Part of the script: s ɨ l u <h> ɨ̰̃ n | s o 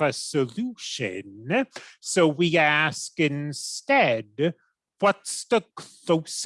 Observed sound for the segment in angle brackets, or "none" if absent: ʃ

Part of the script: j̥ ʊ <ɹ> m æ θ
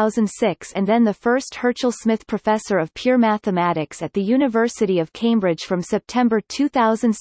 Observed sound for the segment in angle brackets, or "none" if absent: ɹ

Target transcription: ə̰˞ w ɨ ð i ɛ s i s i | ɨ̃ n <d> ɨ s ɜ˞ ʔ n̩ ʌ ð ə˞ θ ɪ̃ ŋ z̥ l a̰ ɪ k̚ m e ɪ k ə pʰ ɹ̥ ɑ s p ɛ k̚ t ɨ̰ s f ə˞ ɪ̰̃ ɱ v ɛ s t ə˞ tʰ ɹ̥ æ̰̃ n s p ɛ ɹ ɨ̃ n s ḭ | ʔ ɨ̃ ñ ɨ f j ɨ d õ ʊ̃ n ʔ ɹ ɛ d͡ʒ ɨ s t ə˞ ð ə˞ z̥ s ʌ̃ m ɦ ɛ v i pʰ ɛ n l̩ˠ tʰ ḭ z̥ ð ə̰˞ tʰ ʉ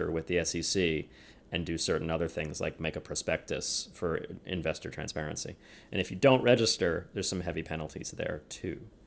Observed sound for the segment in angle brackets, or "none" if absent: d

